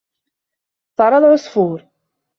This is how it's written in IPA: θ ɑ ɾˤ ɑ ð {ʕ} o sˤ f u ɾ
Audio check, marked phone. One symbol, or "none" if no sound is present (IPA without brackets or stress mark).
ʕ